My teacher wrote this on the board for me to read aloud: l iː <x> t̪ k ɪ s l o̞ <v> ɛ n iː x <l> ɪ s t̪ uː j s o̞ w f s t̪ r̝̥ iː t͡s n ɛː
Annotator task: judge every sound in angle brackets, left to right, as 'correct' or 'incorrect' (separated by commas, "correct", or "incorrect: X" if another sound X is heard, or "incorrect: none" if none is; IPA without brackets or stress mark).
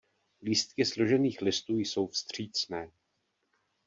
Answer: incorrect: s, incorrect: ʒ, correct